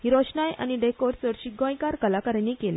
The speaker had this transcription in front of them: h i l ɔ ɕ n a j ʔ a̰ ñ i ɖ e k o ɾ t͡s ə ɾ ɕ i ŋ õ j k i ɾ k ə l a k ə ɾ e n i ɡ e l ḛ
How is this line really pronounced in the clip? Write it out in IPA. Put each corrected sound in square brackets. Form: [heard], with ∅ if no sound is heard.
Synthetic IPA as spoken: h i [ɾ] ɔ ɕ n a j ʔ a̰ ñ i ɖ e k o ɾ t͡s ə ɾ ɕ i [ɡ] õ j k [a] ɾ k ə l a k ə ɾ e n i [k] e l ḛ